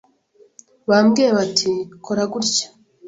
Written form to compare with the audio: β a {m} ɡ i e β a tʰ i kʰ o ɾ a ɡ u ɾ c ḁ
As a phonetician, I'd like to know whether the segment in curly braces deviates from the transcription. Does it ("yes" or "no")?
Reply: no